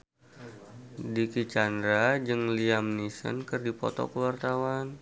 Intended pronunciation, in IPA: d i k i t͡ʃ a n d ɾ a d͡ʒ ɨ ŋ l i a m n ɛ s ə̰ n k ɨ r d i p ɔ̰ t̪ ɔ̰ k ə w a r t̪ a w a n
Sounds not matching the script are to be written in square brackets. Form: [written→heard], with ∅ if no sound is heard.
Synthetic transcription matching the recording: d i k i t͡ʃ a n d ɾ a d͡ʒ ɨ ŋ l i a m n [ɛ→i] s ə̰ n k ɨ r d i p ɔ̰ t̪ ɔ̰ k ə w a r t̪ a w a n